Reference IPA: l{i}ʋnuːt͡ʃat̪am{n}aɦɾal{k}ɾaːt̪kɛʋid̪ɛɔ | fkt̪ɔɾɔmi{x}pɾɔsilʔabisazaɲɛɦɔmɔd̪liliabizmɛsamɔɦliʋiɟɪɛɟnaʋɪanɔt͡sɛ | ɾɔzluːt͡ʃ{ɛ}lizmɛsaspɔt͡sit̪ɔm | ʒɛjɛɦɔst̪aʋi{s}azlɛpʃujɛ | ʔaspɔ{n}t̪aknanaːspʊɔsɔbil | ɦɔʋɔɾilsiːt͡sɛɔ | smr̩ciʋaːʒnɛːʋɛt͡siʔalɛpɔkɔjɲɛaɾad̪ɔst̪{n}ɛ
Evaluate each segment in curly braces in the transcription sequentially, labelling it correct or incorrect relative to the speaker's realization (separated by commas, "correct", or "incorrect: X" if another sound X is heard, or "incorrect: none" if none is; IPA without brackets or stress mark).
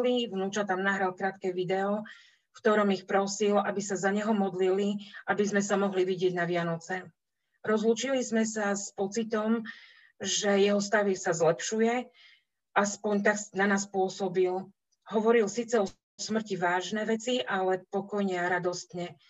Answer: correct, correct, correct, correct, incorrect: i, correct, incorrect: ɲ, incorrect: ɲ